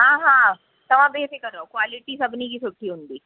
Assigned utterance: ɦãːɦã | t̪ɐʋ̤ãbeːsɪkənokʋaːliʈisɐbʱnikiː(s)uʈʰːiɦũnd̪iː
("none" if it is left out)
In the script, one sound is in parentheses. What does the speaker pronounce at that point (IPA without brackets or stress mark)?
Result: s